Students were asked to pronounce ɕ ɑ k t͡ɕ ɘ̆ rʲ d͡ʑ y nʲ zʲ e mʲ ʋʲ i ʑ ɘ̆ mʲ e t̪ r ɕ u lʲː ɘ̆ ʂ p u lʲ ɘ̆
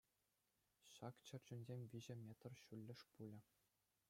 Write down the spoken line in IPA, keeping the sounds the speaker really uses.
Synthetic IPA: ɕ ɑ k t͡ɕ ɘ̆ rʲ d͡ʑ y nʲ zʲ e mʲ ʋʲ i ʑ ɘ̆ mʲ e t̪ r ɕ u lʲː ɘ̆ ʂ p u lʲ ɘ̆